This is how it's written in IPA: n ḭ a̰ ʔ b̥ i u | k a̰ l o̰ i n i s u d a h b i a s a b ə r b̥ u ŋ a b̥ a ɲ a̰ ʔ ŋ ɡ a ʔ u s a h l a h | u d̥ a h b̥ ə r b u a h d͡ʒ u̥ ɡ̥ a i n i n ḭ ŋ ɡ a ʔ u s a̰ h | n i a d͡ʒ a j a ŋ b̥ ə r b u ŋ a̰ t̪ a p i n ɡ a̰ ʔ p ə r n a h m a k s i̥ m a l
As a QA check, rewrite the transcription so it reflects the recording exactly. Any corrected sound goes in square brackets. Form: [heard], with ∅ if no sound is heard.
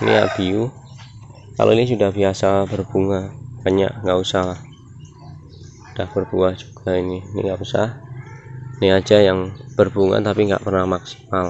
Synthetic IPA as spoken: n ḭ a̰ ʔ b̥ i u | k a̰ l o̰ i n i s u d a h b i a s a b ə r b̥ u ŋ a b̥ a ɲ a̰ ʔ ŋ ɡ a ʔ u s a h l a h | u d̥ a h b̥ ə r b u a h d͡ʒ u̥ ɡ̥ a i n i n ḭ ŋ ɡ a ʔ u s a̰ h | n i a d͡ʒ a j a ŋ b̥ ə r b u ŋ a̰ t̪ a p i [ŋ] ɡ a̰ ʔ p ə r n a h m a k s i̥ m a l